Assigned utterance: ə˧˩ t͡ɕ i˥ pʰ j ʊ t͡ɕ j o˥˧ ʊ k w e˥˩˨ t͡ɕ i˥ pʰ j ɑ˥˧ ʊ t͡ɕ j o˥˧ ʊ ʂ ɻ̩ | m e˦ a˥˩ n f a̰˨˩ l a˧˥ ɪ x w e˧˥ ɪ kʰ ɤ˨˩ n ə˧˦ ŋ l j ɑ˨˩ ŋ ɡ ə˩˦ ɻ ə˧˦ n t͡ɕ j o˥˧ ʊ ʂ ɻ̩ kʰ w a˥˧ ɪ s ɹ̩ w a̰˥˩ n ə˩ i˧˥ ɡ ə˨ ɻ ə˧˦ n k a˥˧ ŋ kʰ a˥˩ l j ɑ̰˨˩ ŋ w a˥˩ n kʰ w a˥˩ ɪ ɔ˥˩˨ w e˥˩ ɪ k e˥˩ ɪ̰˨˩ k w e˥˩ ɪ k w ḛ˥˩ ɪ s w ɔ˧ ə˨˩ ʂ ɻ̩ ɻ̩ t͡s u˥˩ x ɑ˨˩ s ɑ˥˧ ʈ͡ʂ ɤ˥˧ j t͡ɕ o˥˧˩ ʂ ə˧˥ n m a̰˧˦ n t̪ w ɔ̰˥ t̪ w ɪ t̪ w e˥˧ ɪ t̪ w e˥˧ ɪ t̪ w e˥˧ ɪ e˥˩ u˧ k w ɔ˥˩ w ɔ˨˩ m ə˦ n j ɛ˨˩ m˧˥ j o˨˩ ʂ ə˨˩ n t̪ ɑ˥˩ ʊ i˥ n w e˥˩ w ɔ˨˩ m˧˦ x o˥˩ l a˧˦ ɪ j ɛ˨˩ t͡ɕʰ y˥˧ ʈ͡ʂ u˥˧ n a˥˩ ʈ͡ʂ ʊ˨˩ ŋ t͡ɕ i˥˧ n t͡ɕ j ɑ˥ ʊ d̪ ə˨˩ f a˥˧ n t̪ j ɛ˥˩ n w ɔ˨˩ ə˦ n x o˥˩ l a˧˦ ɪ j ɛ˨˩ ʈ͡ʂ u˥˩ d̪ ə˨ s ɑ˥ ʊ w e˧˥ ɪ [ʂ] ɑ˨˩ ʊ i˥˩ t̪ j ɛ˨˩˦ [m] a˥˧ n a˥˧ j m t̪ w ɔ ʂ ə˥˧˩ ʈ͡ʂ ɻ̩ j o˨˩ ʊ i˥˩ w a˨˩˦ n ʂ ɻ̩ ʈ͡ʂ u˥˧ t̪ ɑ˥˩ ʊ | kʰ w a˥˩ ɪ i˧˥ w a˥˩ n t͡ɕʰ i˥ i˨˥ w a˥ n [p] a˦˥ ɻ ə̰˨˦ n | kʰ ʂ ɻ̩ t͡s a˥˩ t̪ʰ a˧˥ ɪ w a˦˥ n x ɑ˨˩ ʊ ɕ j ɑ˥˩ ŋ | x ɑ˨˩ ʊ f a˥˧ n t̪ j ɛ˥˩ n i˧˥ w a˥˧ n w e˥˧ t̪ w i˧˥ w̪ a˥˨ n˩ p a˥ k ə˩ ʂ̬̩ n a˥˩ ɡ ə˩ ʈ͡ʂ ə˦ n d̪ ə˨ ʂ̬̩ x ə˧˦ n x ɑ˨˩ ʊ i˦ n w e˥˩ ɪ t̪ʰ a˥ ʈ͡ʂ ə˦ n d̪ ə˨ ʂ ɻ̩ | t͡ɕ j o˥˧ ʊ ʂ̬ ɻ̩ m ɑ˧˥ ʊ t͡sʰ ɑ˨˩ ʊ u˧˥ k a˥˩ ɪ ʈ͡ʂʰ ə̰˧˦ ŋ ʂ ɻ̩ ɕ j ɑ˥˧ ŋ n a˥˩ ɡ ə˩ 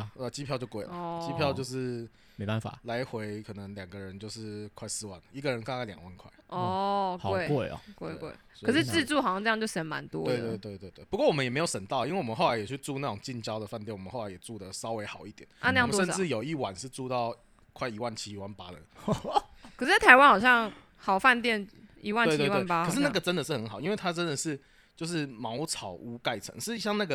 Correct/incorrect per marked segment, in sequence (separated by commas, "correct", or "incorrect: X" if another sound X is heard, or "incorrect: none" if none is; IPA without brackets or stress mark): incorrect: x, incorrect: n, correct